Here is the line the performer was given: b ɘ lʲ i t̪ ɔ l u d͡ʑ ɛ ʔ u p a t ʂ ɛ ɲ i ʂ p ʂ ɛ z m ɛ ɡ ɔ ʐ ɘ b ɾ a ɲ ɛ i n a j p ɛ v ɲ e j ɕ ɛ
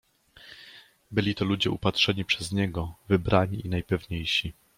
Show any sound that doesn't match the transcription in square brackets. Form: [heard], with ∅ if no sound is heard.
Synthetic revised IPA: b ɘ lʲ i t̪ ɔ l u d͡ʑ ɛ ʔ u p a t ʂ ɛ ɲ i [∅] p ʂ ɛ z [ɲ] ɛ ɡ ɔ [v] ɘ b ɾ a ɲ [i] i n a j p ɛ v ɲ e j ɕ [i]